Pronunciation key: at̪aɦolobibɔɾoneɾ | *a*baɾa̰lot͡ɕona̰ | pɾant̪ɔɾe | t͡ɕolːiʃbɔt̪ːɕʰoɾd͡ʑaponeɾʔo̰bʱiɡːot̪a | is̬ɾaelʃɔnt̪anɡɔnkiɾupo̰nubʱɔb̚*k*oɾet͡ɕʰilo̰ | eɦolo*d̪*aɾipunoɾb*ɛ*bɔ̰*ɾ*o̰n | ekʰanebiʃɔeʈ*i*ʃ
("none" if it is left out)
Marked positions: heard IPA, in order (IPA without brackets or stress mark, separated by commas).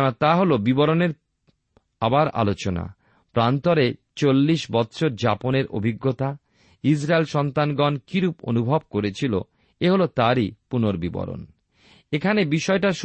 a, k, t̪, i, ɾ, a